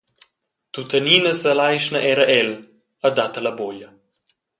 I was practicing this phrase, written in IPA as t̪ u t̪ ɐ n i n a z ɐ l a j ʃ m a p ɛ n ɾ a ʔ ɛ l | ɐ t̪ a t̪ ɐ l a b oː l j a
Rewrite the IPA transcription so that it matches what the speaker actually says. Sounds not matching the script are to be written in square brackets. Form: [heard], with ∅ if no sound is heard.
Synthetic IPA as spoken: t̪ u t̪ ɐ n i n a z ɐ l a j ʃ [n] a [ʔ] ɛ [∅] ɾ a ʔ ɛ l | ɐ [d̪] a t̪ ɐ l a b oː l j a